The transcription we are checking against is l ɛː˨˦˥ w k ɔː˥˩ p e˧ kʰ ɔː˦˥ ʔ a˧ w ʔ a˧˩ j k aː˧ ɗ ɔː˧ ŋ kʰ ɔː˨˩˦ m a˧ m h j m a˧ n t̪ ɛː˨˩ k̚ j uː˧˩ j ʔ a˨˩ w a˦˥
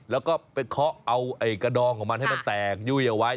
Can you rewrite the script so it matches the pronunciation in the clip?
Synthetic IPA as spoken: l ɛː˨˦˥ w k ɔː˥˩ p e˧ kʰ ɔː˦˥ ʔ a˧ w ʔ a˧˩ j k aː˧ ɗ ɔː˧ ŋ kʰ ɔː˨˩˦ m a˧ n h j m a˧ n t̪ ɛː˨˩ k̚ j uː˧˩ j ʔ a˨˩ w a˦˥